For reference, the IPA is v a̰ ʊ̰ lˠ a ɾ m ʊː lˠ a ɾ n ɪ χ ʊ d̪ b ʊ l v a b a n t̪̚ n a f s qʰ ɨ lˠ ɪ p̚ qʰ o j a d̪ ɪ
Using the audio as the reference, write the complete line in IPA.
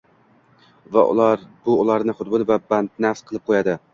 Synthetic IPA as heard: v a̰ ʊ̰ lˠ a ɾ b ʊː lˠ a ɾ n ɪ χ ʊ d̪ b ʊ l v a b a n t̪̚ n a f s qʰ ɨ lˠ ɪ p̚ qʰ o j a d̪ ɪ